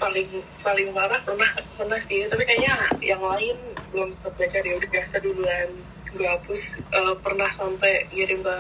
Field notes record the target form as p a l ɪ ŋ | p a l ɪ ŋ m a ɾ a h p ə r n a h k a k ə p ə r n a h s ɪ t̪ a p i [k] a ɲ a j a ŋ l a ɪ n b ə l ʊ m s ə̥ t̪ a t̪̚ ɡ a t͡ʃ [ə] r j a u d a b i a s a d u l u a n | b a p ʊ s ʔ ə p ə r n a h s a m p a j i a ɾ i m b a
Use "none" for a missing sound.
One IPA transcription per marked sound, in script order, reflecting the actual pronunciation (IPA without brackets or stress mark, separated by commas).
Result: k, a